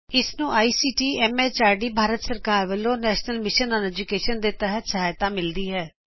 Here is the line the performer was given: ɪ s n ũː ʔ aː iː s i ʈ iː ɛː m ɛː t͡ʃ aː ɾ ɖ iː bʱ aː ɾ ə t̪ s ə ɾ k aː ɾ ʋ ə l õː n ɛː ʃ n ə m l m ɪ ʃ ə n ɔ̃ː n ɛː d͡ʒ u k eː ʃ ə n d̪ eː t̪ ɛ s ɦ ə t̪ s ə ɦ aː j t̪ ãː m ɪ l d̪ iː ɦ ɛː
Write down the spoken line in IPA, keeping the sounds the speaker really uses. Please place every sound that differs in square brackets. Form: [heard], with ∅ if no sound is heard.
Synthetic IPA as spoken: ɪ s n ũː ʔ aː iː s [iː] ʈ iː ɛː m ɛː t͡ʃ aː ɾ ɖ iː bʱ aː ɾ ə t̪ s ə ɾ k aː ɾ ʋ ə l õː n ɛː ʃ n ə [∅] l m ɪ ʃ ə n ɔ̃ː n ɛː d͡ʒ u k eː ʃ ə n d̪ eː t̪ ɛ [∅] ɦ ə t̪ s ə ɦ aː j t̪ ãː m ɪ l d̪ iː ɦ ɛː